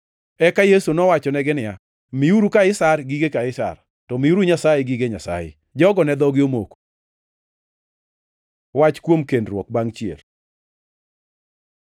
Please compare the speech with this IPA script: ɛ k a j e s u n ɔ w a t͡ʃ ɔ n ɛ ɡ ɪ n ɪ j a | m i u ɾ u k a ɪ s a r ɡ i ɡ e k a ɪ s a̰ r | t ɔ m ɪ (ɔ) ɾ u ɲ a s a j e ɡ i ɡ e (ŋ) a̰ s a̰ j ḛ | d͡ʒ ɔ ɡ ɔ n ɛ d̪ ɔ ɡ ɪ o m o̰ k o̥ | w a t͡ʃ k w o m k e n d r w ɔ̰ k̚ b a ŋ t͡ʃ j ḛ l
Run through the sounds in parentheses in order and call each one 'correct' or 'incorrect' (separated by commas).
incorrect, incorrect